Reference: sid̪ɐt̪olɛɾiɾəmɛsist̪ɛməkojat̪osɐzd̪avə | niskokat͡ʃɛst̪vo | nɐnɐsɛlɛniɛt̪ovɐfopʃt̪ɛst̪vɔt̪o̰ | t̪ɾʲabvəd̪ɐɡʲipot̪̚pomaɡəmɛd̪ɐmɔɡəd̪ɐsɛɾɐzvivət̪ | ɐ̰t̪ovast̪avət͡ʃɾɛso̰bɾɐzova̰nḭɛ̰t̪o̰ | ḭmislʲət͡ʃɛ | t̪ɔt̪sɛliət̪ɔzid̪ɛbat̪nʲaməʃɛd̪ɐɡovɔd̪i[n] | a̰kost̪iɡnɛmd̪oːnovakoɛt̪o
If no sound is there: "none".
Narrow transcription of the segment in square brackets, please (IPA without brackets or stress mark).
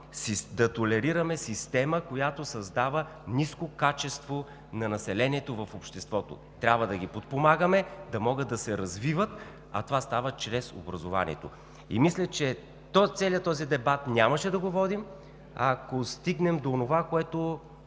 m